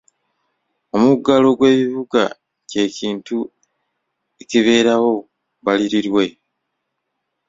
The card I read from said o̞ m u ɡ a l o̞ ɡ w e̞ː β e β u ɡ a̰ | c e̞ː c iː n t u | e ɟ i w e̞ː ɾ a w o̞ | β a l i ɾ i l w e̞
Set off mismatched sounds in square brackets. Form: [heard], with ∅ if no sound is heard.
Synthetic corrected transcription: o̞ m u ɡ a l o̞ ɡ w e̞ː β [i] β u ɡ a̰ | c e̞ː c iː n t u | e [c] i [β] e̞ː ɾ a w o̞ | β a l i ɾ i [ɾ] w e̞